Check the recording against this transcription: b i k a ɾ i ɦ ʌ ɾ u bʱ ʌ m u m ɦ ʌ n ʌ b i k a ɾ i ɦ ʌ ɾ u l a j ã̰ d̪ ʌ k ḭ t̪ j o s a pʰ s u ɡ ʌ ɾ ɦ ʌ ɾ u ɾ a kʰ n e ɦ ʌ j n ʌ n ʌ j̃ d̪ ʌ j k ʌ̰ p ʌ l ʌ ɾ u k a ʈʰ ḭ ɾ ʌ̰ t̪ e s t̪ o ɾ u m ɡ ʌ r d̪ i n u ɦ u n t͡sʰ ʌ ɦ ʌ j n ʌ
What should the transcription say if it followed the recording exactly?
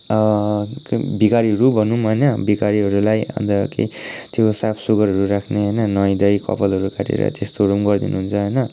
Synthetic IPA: b i k a ɾ i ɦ ʌ ɾ u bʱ ʌ n u m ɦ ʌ n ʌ b i k a ɾ i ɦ ʌ ɾ u l a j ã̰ d̪ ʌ k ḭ t̪ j o s a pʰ s u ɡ ʌ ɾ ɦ ʌ ɾ u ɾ a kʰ n e ɦ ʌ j n ʌ n ʌ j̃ d̪ ʌ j k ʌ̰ p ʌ l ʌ ɾ u k a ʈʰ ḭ ɾ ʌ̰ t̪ e s t̪ o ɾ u m ɡ ʌ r d̪ i n u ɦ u n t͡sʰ ʌ ɦ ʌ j n ʌ